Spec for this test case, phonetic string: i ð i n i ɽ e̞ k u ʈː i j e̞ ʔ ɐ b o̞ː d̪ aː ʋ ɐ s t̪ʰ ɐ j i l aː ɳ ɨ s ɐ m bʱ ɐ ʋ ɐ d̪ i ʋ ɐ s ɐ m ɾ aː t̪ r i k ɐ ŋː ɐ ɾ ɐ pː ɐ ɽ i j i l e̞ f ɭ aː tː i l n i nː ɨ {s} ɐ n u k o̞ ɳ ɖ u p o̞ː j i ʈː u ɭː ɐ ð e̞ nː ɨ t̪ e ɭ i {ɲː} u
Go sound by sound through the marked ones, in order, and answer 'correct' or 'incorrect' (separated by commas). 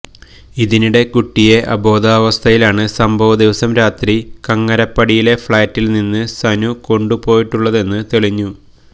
correct, correct